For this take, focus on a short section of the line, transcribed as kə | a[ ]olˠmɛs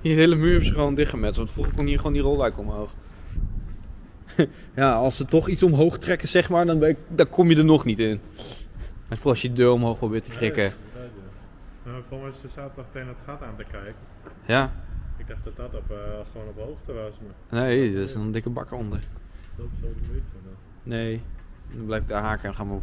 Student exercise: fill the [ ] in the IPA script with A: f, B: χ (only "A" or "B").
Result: A